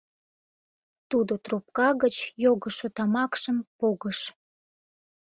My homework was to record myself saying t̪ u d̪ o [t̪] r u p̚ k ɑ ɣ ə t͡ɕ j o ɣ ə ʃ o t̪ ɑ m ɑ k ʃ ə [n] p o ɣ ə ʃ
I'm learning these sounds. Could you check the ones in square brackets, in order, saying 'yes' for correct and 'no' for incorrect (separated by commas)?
yes, no